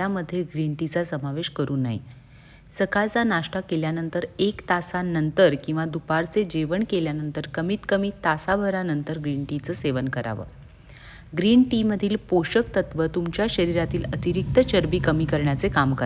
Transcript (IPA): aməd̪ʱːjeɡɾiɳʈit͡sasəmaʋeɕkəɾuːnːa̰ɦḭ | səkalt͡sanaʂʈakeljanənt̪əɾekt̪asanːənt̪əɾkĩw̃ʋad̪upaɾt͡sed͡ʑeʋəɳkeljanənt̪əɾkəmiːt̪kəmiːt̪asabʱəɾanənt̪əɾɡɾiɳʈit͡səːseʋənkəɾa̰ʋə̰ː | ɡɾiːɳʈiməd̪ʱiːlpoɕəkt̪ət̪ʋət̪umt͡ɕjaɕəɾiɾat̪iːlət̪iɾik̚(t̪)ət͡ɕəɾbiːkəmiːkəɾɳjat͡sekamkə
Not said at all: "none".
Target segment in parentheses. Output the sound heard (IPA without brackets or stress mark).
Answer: t̪